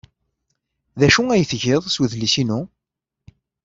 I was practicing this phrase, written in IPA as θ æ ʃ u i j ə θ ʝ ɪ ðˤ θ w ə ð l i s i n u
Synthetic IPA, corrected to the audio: ð æ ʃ u æ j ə θ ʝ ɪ ðˤ s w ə ð l i s i n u